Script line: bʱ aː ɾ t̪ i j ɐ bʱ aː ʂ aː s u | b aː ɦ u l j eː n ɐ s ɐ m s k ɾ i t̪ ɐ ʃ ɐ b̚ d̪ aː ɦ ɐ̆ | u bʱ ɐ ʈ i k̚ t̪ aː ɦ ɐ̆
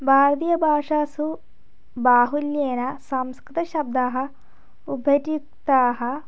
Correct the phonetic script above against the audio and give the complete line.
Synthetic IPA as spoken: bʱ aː ɾ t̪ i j ɐ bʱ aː ʂ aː s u | b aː ɦ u l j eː n ɐ s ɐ m s k ɾ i t̪ ɐ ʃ ɐ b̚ d̪ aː ɦ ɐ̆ | u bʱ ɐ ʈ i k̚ t̪ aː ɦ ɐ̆